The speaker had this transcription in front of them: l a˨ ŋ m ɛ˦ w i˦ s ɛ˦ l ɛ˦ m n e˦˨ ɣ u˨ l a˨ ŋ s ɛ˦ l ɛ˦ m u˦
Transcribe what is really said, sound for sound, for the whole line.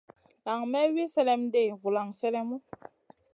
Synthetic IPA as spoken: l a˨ ŋ m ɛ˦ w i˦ s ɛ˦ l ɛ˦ m d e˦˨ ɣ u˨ l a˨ ŋ s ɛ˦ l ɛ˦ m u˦